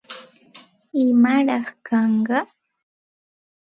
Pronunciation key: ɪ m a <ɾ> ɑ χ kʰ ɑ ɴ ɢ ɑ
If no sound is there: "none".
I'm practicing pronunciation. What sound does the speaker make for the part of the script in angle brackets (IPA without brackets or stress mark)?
ɾ